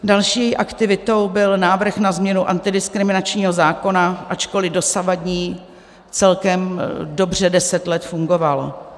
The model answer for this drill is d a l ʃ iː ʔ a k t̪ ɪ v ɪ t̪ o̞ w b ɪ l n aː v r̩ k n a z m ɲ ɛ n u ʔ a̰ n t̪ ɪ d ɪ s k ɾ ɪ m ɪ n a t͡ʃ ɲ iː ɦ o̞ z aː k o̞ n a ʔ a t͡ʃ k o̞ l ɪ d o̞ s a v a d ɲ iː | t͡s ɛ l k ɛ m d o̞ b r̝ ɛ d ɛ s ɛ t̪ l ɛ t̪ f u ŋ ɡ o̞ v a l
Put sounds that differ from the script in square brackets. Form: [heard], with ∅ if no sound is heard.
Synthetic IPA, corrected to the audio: d a l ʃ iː ʔ a k t̪ ɪ v ɪ t̪ o̞ w b ɪ l n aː v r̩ [x] n a z m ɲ ɛ n u ʔ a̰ n t̪ ɪ d ɪ s k ɾ ɪ m ɪ n a t͡ʃ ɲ iː ɦ o̞ z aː k o̞ n a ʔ a t͡ʃ k o̞ l ɪ d o̞ s a v a d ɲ iː | t͡s ɛ l k ɛ m d o̞ b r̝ ɛ d ɛ s ɛ t̪ l ɛ t̪ f u ŋ ɡ o̞ v a l

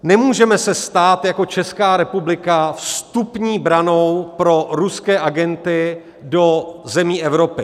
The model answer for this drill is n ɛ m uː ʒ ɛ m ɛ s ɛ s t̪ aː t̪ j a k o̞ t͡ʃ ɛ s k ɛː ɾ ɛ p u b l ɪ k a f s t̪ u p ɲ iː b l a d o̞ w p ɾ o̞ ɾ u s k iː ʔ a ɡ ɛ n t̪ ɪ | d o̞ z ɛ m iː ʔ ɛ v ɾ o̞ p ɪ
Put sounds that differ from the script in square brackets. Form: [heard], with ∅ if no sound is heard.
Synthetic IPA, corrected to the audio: n ɛ m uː ʒ ɛ m ɛ s ɛ s t̪ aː t̪ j a k o̞ t͡ʃ ɛ s k [aː] ɾ ɛ p u b l ɪ k a f s t̪ u p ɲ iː b [ɾ] a [n] o̞ w p ɾ o̞ ɾ u s k [ɛː] ʔ a ɡ ɛ n t̪ ɪ | d o̞ z ɛ m iː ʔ ɛ v ɾ o̞ p ɪ

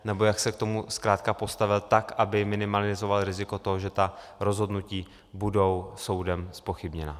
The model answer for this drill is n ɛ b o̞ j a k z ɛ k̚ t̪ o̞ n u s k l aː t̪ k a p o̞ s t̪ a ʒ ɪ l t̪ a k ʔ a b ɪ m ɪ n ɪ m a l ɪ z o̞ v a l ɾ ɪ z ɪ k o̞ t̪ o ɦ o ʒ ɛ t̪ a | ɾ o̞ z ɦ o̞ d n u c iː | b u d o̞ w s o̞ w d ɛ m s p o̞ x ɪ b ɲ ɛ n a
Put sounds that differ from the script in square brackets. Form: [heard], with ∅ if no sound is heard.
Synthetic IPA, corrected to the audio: n ɛ b o̞ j a k [s] ɛ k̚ t̪ o̞ [m] u s k [ɾ] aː t̪ k a p o̞ s t̪ a [v] ɪ l t̪ a k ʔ a b ɪ m ɪ n ɪ m a l ɪ z o̞ v a l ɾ ɪ z ɪ k o̞ t̪ o ɦ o ʒ ɛ t̪ a | ɾ o̞ z ɦ o̞ d n u c iː | b u d o̞ w s o̞ w d ɛ m s p o̞ x ɪ b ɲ ɛ n a

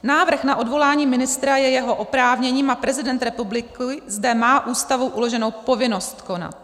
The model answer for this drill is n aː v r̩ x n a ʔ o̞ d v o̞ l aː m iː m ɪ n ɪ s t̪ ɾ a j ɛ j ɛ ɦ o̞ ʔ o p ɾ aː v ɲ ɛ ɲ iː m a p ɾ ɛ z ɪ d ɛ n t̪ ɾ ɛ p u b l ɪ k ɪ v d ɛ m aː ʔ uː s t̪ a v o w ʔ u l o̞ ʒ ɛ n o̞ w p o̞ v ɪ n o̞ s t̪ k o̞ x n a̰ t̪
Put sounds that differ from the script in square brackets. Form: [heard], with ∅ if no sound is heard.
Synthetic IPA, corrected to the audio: n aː v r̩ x n a ʔ o̞ d v o̞ l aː [ɲ] iː m ɪ n ɪ s t̪ ɾ a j ɛ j ɛ ɦ o̞ ʔ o p ɾ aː v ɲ ɛ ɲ iː m a p ɾ ɛ z ɪ d ɛ n t̪ ɾ ɛ p u b l ɪ k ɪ [z] d ɛ m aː ʔ uː s t̪ a v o w ʔ u l o̞ ʒ ɛ n o̞ w p o̞ v ɪ n o̞ s t̪ k o̞ [∅] n a̰ t̪

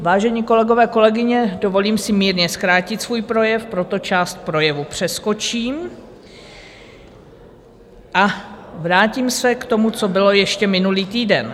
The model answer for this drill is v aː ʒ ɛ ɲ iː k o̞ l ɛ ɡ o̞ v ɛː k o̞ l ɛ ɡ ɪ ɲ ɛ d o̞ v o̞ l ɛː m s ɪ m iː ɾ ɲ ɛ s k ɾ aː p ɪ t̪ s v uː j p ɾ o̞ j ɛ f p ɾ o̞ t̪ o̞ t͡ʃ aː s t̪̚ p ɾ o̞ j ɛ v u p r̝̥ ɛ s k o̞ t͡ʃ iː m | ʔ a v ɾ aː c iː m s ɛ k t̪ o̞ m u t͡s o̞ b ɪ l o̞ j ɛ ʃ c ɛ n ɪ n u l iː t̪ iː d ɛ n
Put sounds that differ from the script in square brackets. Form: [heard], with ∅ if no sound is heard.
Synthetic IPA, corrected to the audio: v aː ʒ ɛ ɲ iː k o̞ l ɛ ɡ o̞ v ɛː k o̞ l ɛ ɡ ɪ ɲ ɛ d o̞ v o̞ l [iː] m s ɪ m iː ɾ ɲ ɛ s k ɾ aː [c] ɪ t̪ s v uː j p ɾ o̞ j ɛ f p ɾ o̞ t̪ o̞ t͡ʃ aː s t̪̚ p ɾ o̞ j ɛ v u p r̝̥ ɛ s k o̞ t͡ʃ iː m | ʔ a v ɾ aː c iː m s ɛ k t̪ o̞ m u t͡s o̞ b ɪ l o̞ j ɛ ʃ c ɛ [m] ɪ n u l iː t̪ iː d ɛ n

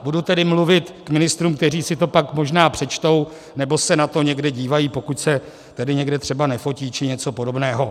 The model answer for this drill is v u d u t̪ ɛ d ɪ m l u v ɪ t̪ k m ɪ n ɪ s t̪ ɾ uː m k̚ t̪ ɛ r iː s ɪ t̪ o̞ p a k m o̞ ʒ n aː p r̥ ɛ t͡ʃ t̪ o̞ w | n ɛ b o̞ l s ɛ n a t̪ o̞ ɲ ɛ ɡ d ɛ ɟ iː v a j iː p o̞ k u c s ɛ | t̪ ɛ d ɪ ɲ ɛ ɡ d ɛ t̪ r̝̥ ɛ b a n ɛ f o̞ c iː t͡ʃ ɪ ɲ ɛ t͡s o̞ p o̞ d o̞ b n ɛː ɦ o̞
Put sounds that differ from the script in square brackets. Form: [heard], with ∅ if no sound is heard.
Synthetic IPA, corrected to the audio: [b] u d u t̪ ɛ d ɪ m l u v ɪ t̪ k m ɪ n ɪ s t̪ ɾ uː m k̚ t̪ ɛ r iː s ɪ t̪ o̞ p a k m o̞ ʒ n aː p r̥ ɛ t͡ʃ t̪ o̞ w | n ɛ b o̞ [∅] s ɛ n a t̪ o̞ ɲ ɛ ɡ d ɛ ɟ iː v a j iː p o̞ k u c s ɛ | t̪ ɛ d ɪ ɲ ɛ ɡ d ɛ t̪ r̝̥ ɛ b a n ɛ f o̞ c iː t͡ʃ ɪ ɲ ɛ t͡s o̞ p o̞ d o̞ b n ɛː ɦ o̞

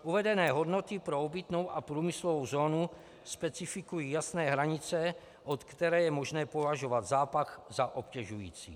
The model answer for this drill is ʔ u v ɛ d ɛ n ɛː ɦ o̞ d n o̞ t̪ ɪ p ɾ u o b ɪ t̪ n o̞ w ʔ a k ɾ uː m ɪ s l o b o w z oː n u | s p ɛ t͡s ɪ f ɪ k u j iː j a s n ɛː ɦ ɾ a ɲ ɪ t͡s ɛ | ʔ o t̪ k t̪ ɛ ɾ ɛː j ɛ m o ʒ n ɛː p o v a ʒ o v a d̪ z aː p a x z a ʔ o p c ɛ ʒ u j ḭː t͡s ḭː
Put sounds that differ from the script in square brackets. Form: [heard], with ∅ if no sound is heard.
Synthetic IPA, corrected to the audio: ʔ u v ɛ d ɛ n ɛː ɦ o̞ d n o̞ t̪ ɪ p ɾ [o] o b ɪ t̪ n o̞ w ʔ a [p] ɾ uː m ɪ s l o [v] o w z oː n u | s p ɛ t͡s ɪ f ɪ k u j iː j a s n ɛː ɦ ɾ a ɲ ɪ t͡s ɛ | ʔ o t̪ k t̪ ɛ ɾ ɛː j ɛ m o ʒ n ɛː p o v a ʒ o v a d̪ z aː p a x z a ʔ o p c ɛ ʒ u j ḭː t͡s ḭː

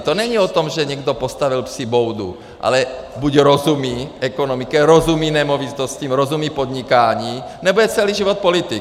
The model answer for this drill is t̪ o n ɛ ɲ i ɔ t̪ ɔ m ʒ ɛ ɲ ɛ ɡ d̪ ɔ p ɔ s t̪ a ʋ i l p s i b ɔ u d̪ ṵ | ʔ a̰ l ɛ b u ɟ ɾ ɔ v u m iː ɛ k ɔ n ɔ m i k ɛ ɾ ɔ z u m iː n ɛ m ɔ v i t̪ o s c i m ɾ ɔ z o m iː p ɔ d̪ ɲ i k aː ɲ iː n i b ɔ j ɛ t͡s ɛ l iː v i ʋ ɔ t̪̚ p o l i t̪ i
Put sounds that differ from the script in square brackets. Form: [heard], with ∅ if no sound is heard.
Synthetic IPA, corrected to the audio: t̪ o n ɛ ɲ i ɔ t̪ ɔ m ʒ ɛ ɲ ɛ ɡ d̪ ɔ p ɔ s t̪ a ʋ i l p s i b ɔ [w] d̪ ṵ | ʔ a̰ l ɛ b u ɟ ɾ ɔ [z] u m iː ɛ k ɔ n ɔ m i k ɛ ɾ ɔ z u m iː n ɛ m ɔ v i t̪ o s c i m ɾ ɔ z [u] m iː p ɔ d̪ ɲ i k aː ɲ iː n [ɛ] b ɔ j ɛ t͡s ɛ l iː [ʒ] i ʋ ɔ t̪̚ p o l i t̪ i

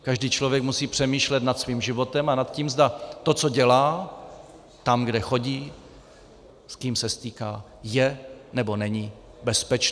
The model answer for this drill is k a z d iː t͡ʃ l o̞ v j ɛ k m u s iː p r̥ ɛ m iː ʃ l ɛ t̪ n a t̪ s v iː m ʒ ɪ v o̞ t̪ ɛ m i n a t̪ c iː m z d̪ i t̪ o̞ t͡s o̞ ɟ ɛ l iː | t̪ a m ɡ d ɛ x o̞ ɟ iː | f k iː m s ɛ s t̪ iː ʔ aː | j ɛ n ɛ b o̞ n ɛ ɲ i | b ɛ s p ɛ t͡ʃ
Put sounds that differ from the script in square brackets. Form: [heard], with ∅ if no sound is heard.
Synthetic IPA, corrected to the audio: k a [ʒ] d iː t͡ʃ l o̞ v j ɛ k m u s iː p r̥ ɛ m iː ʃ l ɛ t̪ n a t̪ s v iː m ʒ ɪ v o̞ t̪ ɛ m [a] n a t̪ c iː m z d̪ [a] t̪ o̞ t͡s o̞ ɟ ɛ l [aː] | t̪ a m ɡ d ɛ x o̞ ɟ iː | [s] k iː m s ɛ s t̪ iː [k] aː | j ɛ n ɛ b o̞ n ɛ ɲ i | b ɛ s p ɛ t͡ʃ

